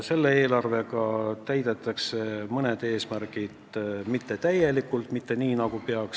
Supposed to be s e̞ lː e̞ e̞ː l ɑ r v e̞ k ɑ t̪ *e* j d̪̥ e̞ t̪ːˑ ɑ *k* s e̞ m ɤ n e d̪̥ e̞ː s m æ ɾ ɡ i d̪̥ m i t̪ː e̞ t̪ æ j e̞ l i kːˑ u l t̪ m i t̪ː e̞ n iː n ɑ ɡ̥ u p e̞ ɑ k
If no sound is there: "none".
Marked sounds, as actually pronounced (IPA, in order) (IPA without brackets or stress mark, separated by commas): æ, k